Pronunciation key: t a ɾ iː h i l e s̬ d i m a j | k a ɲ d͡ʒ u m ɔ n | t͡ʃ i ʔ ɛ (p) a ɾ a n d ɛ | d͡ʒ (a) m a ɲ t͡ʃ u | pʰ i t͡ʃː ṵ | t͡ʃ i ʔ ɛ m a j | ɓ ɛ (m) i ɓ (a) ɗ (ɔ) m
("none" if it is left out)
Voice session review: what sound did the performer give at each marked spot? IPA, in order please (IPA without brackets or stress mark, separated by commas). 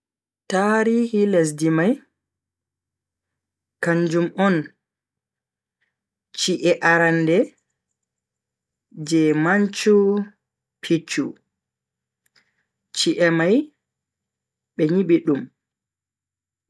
ʔ, ɛ, ɲ, i, u